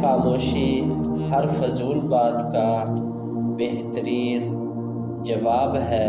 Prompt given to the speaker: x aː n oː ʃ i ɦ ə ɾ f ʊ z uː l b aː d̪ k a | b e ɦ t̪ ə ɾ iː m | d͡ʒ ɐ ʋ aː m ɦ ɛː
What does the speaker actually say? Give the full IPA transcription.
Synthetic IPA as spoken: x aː m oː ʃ i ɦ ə ɾ f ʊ z uː l b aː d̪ k a | b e ɦ t̪ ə ɾ iː n | d͡ʒ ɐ ʋ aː b ɦ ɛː

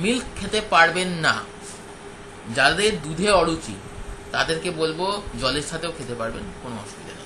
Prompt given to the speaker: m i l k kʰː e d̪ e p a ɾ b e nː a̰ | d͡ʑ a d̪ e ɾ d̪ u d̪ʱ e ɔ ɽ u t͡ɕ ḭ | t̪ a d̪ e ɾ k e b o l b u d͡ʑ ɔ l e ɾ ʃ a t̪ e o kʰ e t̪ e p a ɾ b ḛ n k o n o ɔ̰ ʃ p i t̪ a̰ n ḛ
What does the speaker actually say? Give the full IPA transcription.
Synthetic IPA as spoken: m i l k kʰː e t̪ e p a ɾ b e nː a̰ | d͡ʑ a d̪ e ɾ d̪ u d̪ʱ e ɔ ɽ u t͡ɕ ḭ | t̪ a d̪ e ɾ k e b o l b o d͡ʑ ɔ l e ɾ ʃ a t̪ e o kʰ e t̪ e p a ɾ b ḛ n k o n o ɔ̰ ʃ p i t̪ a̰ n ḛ

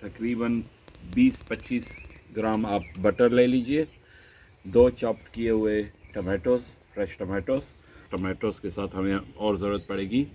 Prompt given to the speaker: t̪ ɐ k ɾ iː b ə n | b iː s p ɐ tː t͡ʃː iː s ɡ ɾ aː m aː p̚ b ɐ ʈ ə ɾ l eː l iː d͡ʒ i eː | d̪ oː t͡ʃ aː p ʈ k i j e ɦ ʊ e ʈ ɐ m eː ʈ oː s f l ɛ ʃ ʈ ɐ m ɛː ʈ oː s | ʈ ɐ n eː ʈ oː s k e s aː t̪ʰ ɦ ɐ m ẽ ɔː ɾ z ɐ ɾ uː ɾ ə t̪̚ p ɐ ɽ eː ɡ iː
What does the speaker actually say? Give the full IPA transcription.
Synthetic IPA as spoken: t̪ ɐ k ɾ iː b ə n | b iː s p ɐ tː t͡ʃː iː s ɡ ɾ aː m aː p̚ b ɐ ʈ ə ɾ l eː l iː d͡ʒ i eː | d̪ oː t͡ʃ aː p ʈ k i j e ɦ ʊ e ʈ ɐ m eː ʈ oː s f ɾ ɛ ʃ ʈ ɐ m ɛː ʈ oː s | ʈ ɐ m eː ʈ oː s k e s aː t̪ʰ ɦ ɐ m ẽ ɔː ɾ z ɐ ɾ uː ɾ ə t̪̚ p ɐ ɽ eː ɡ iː

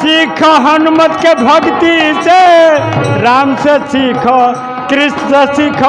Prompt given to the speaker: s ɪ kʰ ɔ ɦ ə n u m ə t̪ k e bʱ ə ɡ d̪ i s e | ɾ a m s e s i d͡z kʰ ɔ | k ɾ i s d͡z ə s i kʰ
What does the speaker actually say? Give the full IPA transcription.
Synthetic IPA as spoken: s i kʰ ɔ ɦ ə n u m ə t̪ k e bʱ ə ɡ t̪ i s e | ɾ a m s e s i kʰ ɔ | k ɾ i s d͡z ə s i kʰ

